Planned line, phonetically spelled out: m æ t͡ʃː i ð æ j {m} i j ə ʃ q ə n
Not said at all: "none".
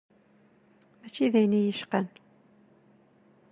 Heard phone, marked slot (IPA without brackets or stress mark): n